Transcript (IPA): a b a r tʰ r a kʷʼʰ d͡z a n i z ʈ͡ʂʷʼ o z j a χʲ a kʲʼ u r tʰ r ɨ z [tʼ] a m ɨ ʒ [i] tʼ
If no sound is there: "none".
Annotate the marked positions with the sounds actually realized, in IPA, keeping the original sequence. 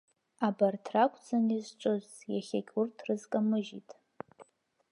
kʼ, i

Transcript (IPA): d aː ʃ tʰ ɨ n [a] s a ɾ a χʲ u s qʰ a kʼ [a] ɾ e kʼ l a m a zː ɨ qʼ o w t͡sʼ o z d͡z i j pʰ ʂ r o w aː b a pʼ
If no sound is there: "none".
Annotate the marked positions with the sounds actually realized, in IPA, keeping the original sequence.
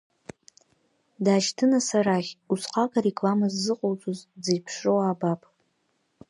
a, a

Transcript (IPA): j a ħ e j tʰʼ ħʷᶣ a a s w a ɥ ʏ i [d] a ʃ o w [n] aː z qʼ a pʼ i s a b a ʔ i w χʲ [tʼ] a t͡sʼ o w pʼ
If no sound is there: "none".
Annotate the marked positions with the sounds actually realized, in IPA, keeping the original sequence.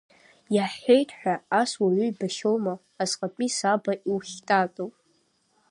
b, m, tʼ

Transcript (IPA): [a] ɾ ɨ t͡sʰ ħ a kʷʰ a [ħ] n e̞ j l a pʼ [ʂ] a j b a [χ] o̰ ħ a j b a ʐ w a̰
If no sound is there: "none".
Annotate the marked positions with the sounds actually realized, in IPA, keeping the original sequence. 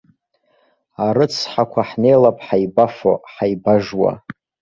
a, ħ, ħ, f

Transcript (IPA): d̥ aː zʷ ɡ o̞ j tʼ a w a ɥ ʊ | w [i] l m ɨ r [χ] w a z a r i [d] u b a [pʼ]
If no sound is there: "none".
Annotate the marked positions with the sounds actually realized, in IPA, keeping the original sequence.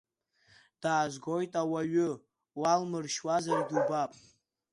a, ʃ, d, pʼ

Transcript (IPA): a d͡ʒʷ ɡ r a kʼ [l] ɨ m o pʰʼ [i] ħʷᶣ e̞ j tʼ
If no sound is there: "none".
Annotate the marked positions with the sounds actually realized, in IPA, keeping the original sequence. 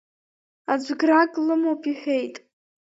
l, i

